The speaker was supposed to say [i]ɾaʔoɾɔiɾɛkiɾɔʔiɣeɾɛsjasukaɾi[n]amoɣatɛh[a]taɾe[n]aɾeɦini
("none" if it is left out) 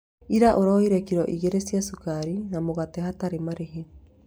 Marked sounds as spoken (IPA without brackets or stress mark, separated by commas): i, n, a, m